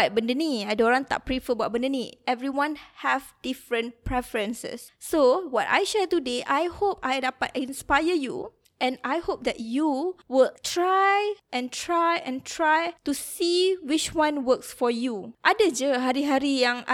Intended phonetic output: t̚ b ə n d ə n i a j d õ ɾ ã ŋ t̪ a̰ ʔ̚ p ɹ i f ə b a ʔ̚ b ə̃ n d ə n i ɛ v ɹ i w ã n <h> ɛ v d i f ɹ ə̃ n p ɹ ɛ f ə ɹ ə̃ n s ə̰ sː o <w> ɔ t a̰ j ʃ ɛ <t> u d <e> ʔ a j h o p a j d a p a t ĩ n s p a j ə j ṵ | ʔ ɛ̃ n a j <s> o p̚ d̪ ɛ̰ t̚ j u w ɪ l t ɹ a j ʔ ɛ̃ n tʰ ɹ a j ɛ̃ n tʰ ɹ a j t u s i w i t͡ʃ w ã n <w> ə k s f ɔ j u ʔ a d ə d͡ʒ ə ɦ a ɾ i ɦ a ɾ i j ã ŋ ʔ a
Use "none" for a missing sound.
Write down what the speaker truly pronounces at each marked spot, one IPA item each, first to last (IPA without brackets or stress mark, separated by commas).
h, w, t, e, h, w